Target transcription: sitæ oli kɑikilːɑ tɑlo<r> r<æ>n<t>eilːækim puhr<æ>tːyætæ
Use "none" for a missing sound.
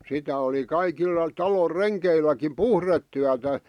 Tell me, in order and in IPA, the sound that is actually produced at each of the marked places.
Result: r, e, k, e

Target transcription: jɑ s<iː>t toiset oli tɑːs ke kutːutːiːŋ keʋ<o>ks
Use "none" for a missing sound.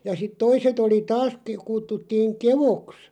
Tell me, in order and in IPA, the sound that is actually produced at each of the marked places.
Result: i, o

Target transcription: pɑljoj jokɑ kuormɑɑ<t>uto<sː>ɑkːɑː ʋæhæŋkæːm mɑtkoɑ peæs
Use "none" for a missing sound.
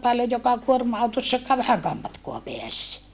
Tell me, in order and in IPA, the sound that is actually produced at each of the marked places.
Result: none, sː

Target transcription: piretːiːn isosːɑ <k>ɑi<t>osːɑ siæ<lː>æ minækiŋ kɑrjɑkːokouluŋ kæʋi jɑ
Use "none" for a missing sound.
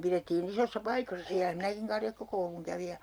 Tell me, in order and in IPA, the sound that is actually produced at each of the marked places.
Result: p, k, l

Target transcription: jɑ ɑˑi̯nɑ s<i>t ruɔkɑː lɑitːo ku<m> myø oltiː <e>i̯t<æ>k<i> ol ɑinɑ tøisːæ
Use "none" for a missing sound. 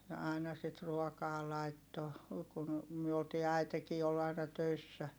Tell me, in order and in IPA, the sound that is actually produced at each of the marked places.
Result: i, n, æ, e, iː

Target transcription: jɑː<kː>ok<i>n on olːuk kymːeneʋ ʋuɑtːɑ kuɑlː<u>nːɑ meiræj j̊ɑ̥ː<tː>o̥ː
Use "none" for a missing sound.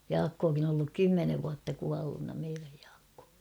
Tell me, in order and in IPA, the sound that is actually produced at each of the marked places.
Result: kː, i, u, kː

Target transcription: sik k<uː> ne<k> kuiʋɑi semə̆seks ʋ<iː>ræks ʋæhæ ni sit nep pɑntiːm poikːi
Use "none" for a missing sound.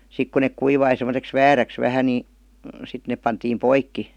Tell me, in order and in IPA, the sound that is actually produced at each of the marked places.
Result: u, k, æː

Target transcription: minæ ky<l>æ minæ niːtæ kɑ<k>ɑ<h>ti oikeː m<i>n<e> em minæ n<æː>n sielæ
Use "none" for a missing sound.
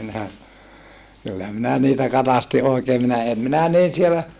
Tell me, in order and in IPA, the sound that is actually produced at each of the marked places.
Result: lː, t, s, i, æ, iː

